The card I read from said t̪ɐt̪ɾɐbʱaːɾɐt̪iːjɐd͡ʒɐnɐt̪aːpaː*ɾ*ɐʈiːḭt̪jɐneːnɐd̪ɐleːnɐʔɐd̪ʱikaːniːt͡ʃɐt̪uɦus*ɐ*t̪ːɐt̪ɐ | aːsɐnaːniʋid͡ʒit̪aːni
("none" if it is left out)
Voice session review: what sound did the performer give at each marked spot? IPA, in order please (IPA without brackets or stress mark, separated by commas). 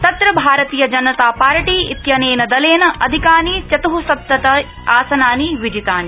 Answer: ɾ, ɐ